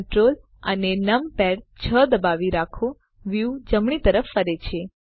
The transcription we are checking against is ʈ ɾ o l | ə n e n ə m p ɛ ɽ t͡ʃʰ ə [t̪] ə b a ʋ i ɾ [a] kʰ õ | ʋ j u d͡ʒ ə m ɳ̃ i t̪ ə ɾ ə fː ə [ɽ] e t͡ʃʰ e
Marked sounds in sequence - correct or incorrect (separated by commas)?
incorrect, correct, incorrect